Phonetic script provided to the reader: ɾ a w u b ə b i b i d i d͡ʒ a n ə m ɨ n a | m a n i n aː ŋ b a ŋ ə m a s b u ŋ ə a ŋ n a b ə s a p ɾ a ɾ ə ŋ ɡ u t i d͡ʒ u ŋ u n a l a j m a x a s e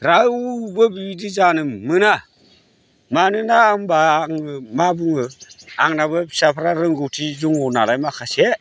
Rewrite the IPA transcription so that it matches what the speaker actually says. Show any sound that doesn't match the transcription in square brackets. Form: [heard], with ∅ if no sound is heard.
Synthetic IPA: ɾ a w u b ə b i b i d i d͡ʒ a n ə m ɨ n a | m a n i n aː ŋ b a ŋ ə m a [∅] b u ŋ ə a ŋ n a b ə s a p ɾ a ɾ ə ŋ ɡ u t i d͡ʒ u ŋ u n a l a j m a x a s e